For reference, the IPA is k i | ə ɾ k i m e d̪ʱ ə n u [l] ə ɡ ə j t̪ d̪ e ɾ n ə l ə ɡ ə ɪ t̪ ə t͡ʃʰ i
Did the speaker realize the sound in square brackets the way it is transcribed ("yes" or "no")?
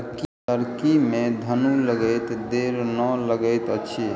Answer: yes